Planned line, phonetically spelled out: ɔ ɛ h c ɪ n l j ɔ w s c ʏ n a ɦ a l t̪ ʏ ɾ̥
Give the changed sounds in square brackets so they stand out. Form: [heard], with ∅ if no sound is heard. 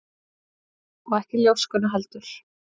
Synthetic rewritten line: ɔ ɛ h c ɪ [∅] l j [o] w s [k] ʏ n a ɦ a l t̪ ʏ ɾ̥